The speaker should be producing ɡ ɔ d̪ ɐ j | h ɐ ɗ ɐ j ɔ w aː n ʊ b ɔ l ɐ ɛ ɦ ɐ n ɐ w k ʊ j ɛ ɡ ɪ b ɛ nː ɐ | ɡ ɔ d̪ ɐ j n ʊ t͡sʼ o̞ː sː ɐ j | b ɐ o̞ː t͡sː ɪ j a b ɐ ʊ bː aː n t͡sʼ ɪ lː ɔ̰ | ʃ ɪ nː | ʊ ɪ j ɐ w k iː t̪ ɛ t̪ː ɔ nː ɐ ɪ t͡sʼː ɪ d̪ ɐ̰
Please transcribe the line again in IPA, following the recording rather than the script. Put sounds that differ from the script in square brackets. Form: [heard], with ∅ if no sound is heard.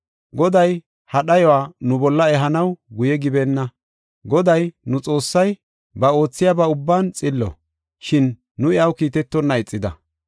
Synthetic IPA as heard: ɡ ɔ d̪ ɐ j | h ɐ ɗ ɐ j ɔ w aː n ʊ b ɔ [lː] ɐ ɛ ɦ ɐ n ɐ w [ɡ] ʊ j ɛ ɡ ɪ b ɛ nː ɐ | ɡ ɔ d̪ ɐ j n ʊ t͡sʼ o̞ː sː ɐ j | b ɐ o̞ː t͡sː ɪ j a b ɐ ʊ bː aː n t͡sʼ ɪ lː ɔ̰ | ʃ ɪ nː | ʊ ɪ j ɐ w k iː t̪ ɛ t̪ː ɔ nː ɐ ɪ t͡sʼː ɪ d̪ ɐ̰